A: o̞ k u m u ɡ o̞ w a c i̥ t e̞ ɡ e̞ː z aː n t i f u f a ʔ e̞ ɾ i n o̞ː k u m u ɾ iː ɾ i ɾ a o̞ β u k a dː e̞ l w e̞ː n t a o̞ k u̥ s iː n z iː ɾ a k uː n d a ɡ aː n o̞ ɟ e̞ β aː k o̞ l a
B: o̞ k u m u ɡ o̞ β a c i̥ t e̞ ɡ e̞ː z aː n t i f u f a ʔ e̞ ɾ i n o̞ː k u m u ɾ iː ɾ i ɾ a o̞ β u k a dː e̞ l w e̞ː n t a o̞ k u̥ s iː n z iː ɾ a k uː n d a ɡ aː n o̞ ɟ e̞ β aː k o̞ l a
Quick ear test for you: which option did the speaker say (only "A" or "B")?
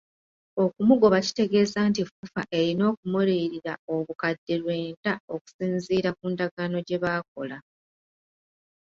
B